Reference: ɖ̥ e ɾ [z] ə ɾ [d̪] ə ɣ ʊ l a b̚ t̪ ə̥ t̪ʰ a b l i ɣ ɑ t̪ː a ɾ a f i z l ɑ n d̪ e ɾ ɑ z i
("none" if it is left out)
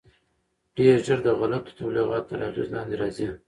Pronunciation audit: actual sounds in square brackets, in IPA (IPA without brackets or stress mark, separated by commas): ʒ, d̪